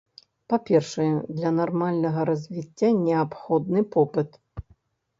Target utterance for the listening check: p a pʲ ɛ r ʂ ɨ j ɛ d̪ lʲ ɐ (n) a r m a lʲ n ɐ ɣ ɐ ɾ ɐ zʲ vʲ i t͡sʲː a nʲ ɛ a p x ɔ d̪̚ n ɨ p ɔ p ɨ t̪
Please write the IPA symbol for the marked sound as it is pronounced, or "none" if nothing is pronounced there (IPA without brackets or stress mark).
n